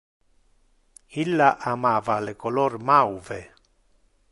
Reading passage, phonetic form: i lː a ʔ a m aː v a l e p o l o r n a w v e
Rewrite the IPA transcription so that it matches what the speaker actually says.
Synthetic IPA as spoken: i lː a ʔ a m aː v a l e k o l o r m a w v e